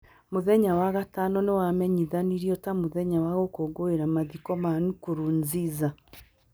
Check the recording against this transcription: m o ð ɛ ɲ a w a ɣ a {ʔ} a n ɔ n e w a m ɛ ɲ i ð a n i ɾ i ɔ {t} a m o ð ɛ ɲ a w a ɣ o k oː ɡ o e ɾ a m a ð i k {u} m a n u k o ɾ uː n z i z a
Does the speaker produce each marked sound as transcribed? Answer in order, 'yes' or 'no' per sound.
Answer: no, yes, no

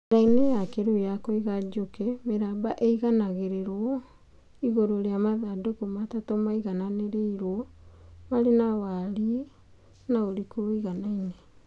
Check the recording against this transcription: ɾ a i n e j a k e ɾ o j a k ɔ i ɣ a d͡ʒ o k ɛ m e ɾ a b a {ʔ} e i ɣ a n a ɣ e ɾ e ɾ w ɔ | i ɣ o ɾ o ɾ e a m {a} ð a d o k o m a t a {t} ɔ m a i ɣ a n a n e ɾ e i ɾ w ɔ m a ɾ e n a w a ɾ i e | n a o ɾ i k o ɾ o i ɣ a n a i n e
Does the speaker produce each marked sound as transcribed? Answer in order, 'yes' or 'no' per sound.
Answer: yes, yes, yes

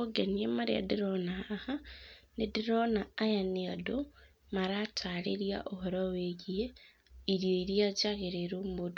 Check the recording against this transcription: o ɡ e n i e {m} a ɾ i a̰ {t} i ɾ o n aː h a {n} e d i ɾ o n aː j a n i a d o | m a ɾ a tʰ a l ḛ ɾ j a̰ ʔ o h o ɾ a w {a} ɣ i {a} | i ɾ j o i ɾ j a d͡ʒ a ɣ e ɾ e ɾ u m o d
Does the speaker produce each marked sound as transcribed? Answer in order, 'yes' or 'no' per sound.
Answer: yes, no, yes, no, no

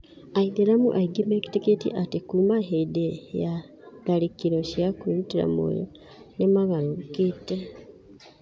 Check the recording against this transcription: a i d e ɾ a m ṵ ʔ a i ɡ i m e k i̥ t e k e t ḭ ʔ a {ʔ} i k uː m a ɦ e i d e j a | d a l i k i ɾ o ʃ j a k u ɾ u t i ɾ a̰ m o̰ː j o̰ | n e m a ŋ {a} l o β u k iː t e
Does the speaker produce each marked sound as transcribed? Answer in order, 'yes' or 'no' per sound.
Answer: no, yes

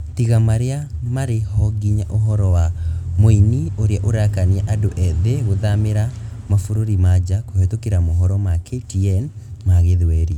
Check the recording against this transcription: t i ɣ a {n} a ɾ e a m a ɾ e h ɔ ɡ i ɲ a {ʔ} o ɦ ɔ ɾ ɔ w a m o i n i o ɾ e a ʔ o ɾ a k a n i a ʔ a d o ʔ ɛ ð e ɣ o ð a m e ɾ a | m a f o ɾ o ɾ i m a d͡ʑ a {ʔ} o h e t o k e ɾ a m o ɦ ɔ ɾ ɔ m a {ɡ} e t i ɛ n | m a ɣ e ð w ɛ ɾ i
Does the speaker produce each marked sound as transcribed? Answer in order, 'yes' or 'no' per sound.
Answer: no, yes, no, no

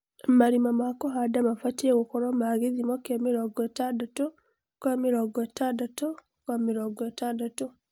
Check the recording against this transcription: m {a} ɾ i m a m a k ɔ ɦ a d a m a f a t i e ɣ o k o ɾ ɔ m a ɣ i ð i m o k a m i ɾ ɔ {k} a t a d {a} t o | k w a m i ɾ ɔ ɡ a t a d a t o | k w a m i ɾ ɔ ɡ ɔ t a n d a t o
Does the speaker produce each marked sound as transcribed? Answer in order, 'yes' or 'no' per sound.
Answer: yes, no, yes

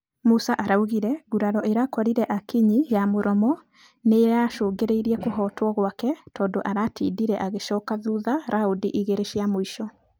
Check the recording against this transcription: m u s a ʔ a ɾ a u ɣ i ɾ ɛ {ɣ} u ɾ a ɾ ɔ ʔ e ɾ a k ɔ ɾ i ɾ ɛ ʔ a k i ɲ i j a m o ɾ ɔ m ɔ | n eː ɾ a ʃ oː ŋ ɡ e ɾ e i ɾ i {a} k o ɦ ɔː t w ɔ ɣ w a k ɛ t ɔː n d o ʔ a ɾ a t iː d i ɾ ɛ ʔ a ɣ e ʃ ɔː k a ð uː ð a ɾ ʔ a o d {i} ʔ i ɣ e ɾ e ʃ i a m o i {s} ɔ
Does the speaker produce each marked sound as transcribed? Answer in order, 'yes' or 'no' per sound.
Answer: yes, no, yes, no

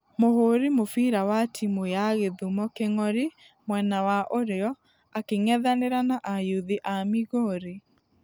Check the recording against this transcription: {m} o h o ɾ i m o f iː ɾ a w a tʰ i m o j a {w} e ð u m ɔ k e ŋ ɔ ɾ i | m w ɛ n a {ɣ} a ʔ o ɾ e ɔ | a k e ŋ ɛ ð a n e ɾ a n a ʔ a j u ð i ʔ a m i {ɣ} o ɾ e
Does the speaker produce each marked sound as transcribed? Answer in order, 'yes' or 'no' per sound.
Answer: yes, no, no, yes

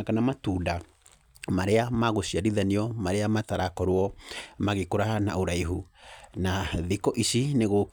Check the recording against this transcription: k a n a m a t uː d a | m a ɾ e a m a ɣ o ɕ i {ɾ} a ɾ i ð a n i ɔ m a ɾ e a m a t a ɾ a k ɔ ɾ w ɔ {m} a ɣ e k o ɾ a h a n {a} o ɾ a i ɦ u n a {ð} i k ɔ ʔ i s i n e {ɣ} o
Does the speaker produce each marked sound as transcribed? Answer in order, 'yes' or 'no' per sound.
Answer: no, yes, yes, yes, yes

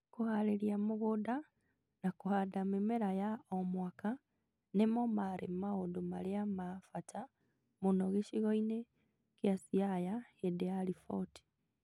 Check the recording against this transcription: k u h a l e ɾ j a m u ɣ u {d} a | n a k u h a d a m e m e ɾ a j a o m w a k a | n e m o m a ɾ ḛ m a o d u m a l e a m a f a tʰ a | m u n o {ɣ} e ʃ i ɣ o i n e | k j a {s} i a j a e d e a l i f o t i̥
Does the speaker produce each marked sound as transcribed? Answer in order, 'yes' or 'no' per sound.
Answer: yes, yes, yes

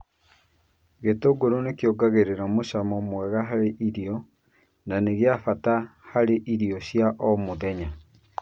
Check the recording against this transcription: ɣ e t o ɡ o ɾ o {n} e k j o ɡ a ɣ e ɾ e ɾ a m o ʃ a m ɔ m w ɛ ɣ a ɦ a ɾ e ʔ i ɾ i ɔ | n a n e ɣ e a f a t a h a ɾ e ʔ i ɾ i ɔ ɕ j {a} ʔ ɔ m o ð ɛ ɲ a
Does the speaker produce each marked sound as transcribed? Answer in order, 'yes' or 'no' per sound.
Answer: yes, yes

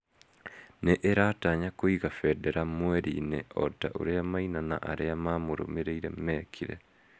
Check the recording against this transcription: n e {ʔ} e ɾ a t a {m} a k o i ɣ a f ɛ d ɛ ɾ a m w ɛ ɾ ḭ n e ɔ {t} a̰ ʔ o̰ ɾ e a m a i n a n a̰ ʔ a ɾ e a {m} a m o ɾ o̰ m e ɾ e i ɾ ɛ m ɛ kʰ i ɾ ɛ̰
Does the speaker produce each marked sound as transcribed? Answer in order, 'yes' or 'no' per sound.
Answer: yes, no, yes, yes

